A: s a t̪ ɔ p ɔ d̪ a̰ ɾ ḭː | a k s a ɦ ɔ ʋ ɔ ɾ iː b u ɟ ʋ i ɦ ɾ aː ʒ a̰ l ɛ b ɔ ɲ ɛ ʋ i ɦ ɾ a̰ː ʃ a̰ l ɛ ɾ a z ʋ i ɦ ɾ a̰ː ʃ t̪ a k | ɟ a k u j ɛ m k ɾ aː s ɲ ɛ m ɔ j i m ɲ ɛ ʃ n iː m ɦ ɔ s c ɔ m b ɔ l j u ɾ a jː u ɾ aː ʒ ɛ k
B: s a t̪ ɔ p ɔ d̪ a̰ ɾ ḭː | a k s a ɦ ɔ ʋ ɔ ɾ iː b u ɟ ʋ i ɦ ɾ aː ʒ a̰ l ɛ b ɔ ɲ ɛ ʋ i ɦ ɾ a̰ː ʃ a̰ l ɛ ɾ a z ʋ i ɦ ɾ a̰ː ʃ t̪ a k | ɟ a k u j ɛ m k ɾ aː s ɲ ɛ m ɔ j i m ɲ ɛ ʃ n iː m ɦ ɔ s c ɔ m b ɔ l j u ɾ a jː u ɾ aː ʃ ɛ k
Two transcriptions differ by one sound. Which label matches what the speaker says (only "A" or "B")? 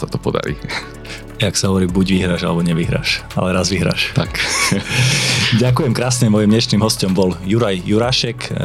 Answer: B